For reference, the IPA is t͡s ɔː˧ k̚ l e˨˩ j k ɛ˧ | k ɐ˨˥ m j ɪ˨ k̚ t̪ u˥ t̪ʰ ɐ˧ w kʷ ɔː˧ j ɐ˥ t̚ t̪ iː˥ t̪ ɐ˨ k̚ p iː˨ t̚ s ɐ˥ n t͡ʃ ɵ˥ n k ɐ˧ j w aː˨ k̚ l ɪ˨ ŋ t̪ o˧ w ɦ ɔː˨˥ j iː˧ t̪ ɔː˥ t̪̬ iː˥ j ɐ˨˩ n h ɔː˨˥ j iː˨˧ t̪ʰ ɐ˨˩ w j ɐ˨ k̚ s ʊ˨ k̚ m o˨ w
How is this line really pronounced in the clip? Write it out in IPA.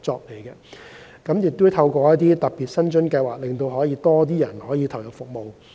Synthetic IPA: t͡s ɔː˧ k̚ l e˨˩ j k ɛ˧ | k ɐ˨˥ m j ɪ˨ k̚ t̪ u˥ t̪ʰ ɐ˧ w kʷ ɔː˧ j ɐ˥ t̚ t̪ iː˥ t̪ ɐ˨ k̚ p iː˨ t̚ s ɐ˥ n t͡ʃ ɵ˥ n k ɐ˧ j w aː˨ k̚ l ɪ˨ ŋ t̪ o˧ w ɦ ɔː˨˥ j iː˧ t̪ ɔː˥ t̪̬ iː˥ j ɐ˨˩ n h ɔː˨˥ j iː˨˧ t̪ʰ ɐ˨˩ w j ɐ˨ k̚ f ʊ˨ k̚ m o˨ w

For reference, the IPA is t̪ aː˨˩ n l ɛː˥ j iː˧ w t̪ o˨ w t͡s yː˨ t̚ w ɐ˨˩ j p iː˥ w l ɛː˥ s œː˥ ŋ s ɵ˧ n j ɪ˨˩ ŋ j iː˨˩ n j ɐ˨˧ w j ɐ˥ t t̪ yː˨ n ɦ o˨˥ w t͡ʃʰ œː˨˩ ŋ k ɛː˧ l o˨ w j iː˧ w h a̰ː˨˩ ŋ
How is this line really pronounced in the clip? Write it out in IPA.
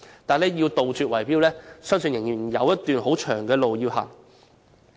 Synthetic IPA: t̪ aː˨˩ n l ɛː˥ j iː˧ w t̪ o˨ w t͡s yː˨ t̚ w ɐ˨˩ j p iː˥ w l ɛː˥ s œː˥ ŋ s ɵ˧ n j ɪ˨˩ ŋ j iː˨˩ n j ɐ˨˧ w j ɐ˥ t t̪ yː˨ n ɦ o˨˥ w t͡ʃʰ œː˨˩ ŋ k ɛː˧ l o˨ w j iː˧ w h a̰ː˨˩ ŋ

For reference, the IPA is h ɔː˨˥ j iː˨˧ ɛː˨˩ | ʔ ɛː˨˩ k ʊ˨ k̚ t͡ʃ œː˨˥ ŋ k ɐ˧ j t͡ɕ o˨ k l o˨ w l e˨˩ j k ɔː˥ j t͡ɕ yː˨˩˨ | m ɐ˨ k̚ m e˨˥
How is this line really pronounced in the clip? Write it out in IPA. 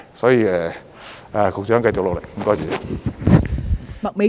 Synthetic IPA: s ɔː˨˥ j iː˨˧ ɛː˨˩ | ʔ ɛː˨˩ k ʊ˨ k̚ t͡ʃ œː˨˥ ŋ k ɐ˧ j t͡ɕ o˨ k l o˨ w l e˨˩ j k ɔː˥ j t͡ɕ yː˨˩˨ | m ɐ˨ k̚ m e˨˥

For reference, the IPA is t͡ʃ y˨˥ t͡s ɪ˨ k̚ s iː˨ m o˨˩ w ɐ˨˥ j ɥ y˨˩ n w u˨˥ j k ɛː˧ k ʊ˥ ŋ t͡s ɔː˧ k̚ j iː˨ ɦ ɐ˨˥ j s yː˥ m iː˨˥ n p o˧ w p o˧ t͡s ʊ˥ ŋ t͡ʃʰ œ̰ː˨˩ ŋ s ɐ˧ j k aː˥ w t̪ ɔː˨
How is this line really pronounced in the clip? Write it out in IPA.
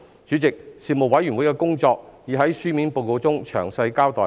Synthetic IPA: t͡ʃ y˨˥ t͡s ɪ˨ k̚ s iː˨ m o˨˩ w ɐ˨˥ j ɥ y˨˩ n w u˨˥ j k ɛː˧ k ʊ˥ ŋ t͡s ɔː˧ k̚ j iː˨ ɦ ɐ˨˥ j s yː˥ m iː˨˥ n p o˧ w k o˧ t͡s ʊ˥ ŋ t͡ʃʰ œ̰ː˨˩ ŋ s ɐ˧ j k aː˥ w t̪ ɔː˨

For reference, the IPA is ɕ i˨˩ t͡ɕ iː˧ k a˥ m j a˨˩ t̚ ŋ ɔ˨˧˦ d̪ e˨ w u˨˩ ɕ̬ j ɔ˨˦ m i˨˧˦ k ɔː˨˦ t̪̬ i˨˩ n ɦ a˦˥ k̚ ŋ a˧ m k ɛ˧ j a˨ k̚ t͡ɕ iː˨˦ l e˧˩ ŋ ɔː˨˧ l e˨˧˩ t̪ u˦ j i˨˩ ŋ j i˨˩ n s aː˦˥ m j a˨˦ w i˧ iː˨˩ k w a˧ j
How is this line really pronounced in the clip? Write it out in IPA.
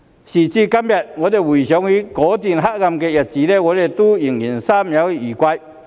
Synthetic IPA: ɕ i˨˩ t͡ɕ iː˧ k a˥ m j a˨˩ t̚ ŋ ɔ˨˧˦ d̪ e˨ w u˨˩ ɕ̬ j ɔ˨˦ ŋ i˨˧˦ k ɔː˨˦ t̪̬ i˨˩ n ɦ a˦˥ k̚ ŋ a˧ m k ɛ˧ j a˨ t̚ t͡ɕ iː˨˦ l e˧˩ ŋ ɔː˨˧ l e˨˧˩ t̪ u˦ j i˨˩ ŋ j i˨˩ n s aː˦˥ m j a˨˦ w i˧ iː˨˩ k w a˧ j

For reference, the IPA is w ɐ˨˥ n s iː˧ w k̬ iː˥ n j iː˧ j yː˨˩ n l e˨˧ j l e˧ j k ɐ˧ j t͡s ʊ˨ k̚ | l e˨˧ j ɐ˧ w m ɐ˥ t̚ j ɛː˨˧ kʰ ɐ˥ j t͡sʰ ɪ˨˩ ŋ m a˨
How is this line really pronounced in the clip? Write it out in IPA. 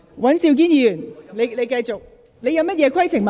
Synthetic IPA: w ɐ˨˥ n s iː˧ w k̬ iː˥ n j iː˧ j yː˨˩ n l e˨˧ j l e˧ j k ɐ˧ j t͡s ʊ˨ k̚ | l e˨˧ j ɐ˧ w m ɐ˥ t̚ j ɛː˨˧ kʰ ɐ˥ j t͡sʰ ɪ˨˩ ŋ m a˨

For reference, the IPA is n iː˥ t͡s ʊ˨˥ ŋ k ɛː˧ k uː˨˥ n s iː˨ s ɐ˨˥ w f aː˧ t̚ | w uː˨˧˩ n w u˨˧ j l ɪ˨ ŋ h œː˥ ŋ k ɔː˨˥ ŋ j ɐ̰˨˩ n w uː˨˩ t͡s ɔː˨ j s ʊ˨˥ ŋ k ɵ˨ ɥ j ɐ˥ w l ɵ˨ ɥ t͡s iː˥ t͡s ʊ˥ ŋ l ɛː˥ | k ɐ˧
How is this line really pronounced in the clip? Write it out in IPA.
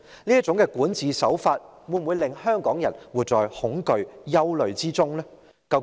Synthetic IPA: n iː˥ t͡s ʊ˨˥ ŋ k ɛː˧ k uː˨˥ n t͡s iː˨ s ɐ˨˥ w f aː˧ t̚ | w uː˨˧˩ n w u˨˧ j l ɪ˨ ŋ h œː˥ ŋ k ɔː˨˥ ŋ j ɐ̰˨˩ n w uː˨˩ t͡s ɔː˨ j h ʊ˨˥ ŋ k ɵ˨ ɥ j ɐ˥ w l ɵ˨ ɥ t͡s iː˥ t͡s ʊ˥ ŋ l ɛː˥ | k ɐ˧

